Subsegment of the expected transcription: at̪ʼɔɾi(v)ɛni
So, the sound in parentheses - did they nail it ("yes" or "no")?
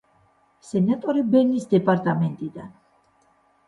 no